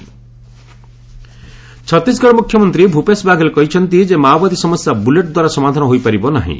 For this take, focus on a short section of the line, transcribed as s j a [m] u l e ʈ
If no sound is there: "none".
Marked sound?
b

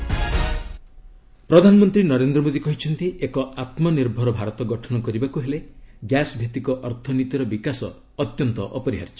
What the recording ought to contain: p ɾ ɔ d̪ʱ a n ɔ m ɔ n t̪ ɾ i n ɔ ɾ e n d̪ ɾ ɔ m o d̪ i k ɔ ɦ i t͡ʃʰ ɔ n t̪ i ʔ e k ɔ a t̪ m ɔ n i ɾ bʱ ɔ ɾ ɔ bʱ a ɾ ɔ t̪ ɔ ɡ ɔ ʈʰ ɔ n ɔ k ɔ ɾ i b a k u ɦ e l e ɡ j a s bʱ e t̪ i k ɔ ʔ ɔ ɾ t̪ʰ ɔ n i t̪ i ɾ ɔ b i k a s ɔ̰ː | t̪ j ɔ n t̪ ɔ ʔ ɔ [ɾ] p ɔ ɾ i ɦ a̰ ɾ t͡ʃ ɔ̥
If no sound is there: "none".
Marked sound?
none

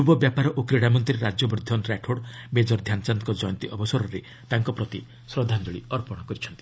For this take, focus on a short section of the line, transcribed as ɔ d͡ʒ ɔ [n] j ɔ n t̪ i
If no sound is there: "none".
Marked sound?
none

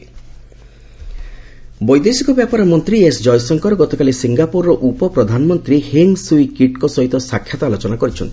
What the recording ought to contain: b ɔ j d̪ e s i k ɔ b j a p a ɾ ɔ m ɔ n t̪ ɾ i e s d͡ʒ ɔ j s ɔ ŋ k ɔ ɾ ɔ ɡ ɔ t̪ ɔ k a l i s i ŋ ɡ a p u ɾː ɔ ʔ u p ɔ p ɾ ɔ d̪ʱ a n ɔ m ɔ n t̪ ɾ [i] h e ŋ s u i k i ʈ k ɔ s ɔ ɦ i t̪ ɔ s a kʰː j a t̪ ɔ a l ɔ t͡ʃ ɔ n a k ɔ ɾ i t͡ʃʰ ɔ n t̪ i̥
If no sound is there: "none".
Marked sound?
i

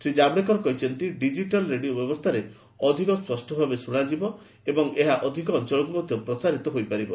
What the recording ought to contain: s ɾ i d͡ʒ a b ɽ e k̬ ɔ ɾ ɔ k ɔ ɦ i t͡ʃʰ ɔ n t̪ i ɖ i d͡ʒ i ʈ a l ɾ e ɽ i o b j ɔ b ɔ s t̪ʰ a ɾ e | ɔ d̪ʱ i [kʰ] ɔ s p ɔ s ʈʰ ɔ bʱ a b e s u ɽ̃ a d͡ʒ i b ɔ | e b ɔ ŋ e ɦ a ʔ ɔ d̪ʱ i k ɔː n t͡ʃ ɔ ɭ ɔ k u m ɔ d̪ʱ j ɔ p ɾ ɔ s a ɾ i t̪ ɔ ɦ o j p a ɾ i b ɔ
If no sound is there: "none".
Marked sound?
k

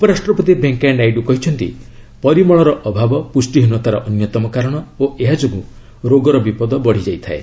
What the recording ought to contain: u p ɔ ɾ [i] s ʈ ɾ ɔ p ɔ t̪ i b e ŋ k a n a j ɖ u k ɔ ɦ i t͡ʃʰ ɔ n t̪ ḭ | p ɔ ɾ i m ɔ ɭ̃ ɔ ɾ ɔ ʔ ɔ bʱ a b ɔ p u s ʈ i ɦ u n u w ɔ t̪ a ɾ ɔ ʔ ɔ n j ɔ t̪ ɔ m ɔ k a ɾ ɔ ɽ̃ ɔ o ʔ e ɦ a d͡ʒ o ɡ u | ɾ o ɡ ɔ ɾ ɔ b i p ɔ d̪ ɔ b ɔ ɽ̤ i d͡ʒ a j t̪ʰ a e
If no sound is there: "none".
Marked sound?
a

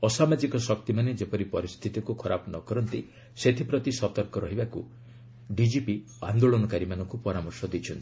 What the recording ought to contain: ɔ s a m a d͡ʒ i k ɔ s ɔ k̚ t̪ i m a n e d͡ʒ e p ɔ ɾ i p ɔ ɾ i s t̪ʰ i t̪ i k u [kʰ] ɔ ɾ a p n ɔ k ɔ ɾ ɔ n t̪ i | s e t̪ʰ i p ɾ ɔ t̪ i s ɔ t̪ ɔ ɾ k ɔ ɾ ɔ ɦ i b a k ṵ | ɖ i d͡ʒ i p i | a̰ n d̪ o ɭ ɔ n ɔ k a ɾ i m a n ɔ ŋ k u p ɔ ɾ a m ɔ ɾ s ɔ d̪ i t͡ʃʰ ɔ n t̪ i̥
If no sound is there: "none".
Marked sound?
kʰ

